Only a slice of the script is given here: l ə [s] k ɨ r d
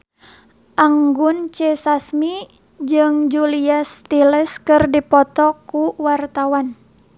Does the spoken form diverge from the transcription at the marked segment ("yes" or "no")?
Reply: no